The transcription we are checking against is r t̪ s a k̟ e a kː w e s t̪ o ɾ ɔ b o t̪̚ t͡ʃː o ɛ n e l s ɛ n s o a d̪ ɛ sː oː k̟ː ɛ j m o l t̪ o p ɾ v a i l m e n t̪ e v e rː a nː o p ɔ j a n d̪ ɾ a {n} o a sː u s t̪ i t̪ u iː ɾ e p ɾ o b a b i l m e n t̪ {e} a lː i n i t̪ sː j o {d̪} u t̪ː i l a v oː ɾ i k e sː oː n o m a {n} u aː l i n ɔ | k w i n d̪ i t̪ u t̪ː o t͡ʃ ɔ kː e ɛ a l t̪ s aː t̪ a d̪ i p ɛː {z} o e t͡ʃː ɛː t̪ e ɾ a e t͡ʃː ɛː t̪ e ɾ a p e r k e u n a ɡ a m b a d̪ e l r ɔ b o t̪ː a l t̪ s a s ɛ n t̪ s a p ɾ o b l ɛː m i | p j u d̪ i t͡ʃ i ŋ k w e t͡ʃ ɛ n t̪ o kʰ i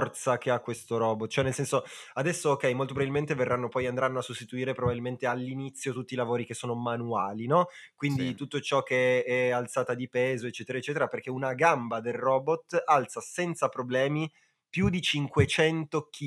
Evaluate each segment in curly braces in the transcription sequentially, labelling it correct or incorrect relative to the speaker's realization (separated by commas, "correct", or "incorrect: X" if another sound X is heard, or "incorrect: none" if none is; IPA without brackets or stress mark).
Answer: incorrect: nː, correct, incorrect: t̪, correct, correct